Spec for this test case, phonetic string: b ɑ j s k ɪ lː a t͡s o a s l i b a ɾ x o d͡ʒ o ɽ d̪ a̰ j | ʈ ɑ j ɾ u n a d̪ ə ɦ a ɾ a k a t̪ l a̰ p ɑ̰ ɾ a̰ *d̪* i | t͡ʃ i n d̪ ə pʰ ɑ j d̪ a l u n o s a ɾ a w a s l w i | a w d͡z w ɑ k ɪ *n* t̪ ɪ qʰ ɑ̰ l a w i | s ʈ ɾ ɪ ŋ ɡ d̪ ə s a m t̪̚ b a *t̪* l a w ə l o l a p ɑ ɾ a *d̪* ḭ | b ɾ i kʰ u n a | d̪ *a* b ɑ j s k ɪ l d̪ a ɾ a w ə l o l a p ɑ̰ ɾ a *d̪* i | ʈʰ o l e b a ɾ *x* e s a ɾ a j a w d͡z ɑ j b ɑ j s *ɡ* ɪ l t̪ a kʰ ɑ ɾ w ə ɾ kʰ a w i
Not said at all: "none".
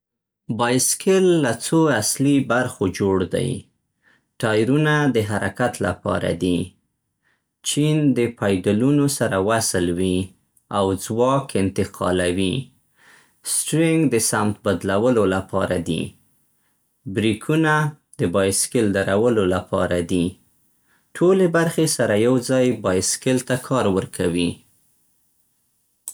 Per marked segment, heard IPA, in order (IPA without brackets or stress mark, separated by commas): d̪, n, d̪, d̪, ə, d̪, x, k